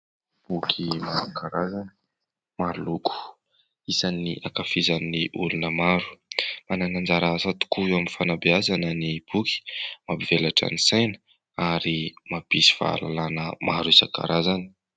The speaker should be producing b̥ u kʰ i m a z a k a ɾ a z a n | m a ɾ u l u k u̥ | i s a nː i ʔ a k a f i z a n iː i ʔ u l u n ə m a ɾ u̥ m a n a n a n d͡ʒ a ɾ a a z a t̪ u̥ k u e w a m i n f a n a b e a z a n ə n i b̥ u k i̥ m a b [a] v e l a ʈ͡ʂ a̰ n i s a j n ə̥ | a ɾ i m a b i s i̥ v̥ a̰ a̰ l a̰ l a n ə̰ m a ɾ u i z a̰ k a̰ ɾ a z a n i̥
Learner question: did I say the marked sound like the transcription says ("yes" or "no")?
no